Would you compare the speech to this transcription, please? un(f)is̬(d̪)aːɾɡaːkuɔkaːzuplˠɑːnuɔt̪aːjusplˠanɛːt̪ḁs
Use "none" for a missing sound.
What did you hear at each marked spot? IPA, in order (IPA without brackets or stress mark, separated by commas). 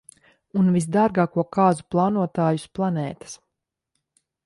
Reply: v, d̪